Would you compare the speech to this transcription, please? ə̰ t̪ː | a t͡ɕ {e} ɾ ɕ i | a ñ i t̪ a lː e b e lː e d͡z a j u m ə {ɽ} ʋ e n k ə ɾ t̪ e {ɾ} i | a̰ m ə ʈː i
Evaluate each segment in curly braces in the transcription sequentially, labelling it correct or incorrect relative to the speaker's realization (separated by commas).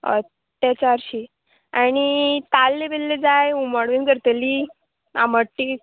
incorrect, correct, incorrect